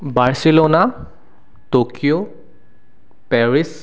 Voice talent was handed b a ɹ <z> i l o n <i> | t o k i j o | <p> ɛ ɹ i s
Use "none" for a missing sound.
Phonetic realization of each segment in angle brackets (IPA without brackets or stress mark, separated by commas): s, a, p